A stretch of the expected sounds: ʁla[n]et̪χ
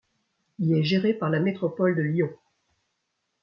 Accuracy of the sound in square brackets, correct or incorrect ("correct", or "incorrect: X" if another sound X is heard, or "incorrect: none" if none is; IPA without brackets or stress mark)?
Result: incorrect: m